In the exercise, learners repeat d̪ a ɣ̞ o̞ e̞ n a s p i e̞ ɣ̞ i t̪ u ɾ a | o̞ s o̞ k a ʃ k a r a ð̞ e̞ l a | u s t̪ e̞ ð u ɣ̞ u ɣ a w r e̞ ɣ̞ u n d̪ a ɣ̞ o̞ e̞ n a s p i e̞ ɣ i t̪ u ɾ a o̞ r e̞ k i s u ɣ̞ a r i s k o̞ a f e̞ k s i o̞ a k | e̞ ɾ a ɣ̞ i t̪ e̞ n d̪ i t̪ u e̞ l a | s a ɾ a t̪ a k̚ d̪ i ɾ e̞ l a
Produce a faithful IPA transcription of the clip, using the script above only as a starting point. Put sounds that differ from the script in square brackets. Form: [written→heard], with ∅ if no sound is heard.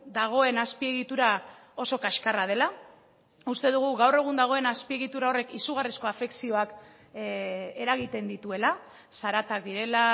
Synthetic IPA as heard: d̪ a ɣ̞ o̞ e̞ n a s p i e̞ ɣ̞ i t̪ u ɾ a | o̞ s o̞ k a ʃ k a r a ð̞ e̞ l a | u s t̪ e̞ ð u ɣ̞ u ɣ a w r e̞ ɣ̞ u n d̪ a ɣ̞ o̞ e̞ n a s p i e̞ ɣ i t̪ u ɾ a o̞ r e̞ k i s u ɣ̞ a r i s k o̞ a f e̞ k s i o̞ a k | e̞ ɾ a ɣ̞ i t̪ e̞ n d̪ i t̪ u e̞ l a | s a ɾ a t̪ a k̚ d̪ i ɾ e̞ l a